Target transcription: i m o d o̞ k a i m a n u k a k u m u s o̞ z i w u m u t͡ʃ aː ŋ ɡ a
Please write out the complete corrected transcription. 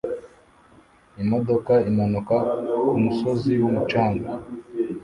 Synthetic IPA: i m o d o̞ k a i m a n u k a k u m u s o̞ z i w u m u t͡ʃ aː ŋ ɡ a